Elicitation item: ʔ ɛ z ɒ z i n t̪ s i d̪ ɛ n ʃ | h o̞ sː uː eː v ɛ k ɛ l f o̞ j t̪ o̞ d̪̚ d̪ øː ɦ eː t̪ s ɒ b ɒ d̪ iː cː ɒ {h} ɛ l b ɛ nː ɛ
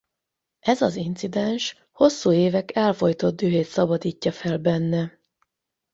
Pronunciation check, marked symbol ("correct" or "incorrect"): incorrect